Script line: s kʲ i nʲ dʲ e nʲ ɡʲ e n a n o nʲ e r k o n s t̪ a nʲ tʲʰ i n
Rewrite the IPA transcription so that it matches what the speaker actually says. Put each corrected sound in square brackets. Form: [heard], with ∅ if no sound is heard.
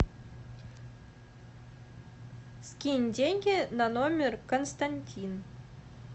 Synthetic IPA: s kʲ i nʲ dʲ e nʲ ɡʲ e n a n o [mʲ] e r k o n s t̪ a nʲ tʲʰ i n